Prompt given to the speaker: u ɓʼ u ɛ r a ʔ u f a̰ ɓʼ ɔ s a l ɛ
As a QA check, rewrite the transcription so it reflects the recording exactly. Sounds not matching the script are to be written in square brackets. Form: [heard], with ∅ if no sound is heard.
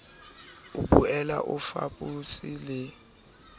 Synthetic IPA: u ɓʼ u ɛ [l] a ʔ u f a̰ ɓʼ [u] s [i] l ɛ